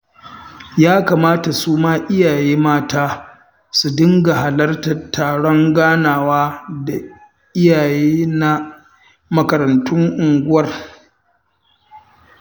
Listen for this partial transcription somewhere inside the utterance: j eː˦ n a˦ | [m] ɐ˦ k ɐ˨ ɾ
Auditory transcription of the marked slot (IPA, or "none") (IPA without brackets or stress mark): m